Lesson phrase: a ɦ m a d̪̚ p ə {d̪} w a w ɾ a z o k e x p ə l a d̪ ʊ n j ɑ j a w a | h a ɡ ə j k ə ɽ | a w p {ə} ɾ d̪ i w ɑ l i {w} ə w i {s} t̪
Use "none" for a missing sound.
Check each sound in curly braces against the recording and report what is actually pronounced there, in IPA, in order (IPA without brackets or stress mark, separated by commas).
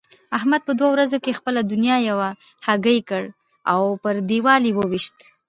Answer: d̪, ə, w, ʃ